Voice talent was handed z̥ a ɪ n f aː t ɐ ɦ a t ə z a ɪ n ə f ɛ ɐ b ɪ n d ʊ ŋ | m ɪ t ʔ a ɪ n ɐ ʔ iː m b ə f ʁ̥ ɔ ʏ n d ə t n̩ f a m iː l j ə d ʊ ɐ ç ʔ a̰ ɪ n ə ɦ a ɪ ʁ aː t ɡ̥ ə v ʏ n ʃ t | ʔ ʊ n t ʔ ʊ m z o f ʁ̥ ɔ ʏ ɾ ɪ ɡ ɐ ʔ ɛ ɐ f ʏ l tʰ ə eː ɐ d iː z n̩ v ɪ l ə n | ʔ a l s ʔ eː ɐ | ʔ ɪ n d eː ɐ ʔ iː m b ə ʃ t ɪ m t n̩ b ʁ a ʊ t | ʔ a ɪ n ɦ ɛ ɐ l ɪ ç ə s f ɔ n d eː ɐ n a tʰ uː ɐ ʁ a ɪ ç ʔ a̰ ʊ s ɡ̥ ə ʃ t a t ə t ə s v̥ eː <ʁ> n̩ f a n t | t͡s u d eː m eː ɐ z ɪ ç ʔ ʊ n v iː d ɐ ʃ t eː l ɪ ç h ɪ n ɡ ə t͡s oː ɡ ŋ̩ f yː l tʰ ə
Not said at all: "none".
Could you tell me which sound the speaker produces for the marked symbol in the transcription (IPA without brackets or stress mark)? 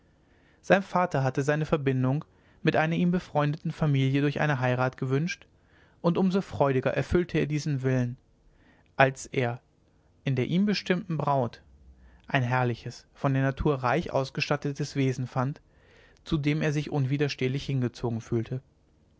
z